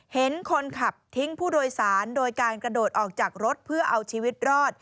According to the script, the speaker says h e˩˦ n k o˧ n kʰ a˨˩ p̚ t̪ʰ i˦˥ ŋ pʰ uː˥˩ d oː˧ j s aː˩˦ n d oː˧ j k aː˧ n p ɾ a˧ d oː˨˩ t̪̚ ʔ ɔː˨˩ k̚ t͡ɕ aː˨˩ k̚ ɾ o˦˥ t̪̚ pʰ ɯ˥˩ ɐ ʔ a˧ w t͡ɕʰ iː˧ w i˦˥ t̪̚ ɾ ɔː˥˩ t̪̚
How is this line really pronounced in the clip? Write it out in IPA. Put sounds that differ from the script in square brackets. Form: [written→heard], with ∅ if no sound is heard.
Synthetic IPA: h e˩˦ n [k→kʰ] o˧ n kʰ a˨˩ p̚ t̪ʰ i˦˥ ŋ pʰ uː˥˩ d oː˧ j s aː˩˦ n d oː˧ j k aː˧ n [p→k] ɾ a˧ d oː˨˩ t̪̚ ʔ ɔː˨˩ k̚ t͡ɕ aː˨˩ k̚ ɾ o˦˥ t̪̚ pʰ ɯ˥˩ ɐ ʔ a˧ w t͡ɕʰ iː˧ w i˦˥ t̪̚ ɾ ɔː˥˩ t̪̚